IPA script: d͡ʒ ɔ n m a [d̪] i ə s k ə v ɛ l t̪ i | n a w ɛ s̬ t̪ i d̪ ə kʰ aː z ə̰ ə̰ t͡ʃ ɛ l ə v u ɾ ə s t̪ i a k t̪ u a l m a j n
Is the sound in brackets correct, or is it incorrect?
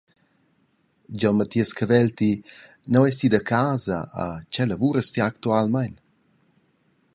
incorrect